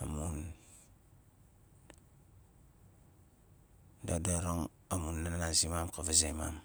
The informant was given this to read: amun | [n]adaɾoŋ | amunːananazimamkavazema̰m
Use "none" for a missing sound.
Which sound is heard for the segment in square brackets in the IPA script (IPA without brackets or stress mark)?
d